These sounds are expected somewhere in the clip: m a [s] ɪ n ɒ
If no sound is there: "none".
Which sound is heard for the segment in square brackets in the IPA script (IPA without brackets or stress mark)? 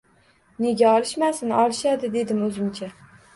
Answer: s